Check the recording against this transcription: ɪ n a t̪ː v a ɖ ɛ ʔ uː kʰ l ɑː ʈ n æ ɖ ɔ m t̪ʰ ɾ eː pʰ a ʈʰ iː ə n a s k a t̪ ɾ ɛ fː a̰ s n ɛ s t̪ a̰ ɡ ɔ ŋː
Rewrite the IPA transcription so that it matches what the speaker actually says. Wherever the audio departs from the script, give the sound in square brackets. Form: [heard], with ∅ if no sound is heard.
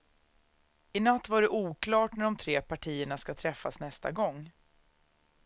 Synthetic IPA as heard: ɪ n a t̪ː v a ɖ ɛ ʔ uː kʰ l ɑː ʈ n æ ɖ ɔ m t̪ʰ ɾ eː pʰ a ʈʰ iː ə [ɳ] a s k a [t̪ʰ] ɾ ɛ fː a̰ s n ɛ s t̪ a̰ ɡ ɔ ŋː